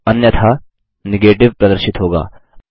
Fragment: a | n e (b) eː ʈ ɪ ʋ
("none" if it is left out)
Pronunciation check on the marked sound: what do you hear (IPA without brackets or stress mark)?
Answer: ɡ